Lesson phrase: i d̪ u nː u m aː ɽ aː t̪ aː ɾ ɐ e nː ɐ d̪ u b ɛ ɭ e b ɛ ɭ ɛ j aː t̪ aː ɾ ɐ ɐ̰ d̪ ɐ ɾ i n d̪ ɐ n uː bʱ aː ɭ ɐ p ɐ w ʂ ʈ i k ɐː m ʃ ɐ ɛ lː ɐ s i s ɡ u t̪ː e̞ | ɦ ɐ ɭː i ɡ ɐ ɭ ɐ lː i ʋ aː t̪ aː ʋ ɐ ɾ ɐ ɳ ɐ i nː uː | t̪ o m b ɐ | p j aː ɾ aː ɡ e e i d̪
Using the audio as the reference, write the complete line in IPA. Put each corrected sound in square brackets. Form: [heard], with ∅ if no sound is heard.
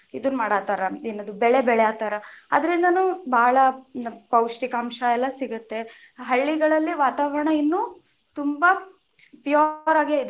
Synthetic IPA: i d̪ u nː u m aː ɽ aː t̪ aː ɾ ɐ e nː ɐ d̪ u b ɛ ɭ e b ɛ ɭ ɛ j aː t̪ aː ɾ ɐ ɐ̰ d̪ ɐ ɾ i n d̪ ɐ n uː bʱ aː ɭ ɐ p ɐ w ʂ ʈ i k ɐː m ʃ ɐ ɛ lː ɐ s i [∅] ɡ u t̪ː e̞ | ɦ ɐ ɭː i ɡ ɐ ɭ ɐ lː i ʋ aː t̪ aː ʋ ɐ ɾ ɐ ɳ ɐ i nː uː | t̪ [u] m b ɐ | p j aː ɾ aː ɡ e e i d̪